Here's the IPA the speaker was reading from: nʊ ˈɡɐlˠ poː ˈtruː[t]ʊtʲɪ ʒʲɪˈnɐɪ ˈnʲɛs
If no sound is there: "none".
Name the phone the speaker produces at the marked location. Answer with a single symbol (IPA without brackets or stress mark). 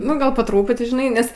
p